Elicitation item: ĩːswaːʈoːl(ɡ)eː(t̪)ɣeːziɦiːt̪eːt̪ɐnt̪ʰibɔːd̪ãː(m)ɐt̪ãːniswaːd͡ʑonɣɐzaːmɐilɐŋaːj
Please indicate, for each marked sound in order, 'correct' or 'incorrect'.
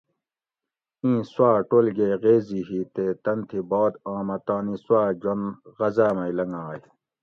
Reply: correct, incorrect, correct

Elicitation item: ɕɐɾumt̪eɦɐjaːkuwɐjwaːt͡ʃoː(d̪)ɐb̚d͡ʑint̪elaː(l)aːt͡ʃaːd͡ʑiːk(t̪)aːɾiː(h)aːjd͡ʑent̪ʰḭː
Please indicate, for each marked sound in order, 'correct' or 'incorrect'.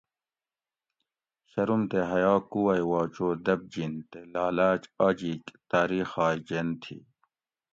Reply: correct, correct, correct, incorrect

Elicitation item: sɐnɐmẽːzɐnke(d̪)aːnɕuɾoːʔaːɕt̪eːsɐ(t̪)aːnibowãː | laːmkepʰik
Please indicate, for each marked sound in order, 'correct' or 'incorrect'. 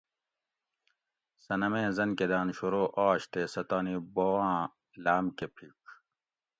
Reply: correct, correct

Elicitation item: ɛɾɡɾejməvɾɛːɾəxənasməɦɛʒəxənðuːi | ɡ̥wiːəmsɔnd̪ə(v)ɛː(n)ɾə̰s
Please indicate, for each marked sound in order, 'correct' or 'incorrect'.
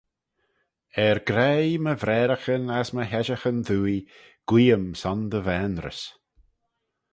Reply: correct, correct

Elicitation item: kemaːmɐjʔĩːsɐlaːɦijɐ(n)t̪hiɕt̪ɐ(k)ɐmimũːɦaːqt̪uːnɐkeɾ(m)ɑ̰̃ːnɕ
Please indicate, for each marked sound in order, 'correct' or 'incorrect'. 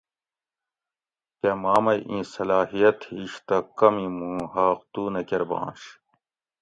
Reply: incorrect, correct, incorrect

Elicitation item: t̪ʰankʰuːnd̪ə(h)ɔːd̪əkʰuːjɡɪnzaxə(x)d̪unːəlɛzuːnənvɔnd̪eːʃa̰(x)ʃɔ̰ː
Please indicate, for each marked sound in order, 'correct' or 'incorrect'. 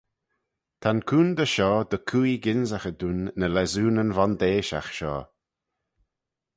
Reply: incorrect, incorrect, correct

